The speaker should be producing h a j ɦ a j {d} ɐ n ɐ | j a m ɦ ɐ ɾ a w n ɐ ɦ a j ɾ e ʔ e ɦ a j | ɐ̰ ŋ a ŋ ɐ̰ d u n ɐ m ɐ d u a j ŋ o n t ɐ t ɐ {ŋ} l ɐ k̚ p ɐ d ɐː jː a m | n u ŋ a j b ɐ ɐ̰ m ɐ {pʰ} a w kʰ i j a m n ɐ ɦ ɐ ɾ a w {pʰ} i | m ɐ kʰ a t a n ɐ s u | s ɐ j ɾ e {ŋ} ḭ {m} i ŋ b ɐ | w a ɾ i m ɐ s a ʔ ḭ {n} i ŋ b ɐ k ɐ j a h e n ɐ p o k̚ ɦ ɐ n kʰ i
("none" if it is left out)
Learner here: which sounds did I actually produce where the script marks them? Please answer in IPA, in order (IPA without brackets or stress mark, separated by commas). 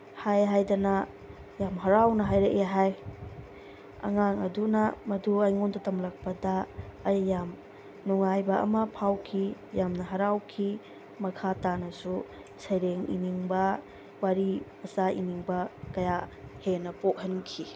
d, m, pʰ, kʰ, ŋ, n, n